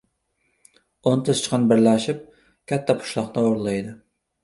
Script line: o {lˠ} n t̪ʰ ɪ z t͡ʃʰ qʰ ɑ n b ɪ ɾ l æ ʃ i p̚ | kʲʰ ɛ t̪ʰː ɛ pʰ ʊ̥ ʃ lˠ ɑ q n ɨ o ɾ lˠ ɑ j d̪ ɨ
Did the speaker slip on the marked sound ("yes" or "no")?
yes